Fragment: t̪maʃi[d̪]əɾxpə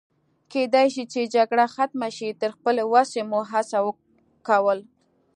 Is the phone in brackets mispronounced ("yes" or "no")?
yes